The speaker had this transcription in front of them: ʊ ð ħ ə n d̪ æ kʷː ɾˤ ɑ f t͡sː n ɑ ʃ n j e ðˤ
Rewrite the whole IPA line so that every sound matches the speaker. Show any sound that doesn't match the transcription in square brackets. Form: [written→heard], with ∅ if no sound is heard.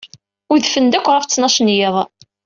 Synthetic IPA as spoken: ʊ ð [ħ→f] ə n d̪ æ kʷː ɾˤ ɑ f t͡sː n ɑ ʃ n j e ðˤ